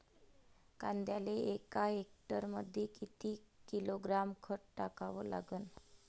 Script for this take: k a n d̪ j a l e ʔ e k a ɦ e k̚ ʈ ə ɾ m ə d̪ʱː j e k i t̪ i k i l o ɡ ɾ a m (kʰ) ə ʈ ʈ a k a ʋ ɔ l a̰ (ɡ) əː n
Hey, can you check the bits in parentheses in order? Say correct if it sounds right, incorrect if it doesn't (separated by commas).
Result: correct, correct